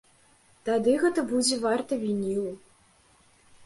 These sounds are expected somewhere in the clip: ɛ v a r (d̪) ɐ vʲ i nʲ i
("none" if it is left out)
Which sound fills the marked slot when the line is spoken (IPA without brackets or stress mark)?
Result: t̪